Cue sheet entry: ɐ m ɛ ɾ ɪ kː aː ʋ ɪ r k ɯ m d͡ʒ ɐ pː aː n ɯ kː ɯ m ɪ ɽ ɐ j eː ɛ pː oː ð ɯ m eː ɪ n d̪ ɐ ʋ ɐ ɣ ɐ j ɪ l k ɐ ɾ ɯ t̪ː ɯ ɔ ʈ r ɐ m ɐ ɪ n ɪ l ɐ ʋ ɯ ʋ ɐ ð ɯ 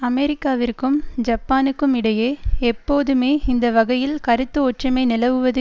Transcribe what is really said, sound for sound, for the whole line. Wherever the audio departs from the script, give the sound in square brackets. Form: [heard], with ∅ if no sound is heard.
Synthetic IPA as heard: ɐ m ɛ ɾ ɪ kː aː ʋ ɪ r k ɯ m d͡ʒ ɐ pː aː n ɯ kː ɯ m ɪ ɽ ɐ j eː ɛ pː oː ð ɯ m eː ɪ n d̪ ɐ ʋ ɐ ɣ ɐ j ɪ l k ɐ ɾ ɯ t̪ː ɯ ɔ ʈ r ɐ m ɐ ɪ n ɪ l ɐ ʋ ɯ ʋ ɐ ð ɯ